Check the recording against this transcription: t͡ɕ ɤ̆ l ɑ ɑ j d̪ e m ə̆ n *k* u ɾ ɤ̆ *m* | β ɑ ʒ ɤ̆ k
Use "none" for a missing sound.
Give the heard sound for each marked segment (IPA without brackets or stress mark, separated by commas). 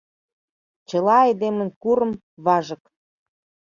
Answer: k, m